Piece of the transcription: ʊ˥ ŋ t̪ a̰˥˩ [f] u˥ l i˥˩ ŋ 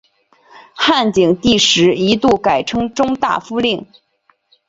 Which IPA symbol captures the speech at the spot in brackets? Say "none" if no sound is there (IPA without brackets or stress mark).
f